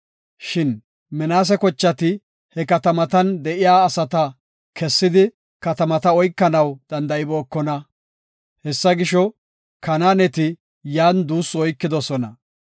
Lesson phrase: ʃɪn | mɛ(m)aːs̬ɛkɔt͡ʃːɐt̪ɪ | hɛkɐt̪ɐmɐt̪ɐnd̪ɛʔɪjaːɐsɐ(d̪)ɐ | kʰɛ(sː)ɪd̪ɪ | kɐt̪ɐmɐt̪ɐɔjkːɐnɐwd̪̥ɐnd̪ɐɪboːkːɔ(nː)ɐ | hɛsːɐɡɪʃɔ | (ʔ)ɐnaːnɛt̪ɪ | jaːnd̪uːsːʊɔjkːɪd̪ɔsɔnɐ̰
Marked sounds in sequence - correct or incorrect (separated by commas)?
incorrect, incorrect, correct, incorrect, incorrect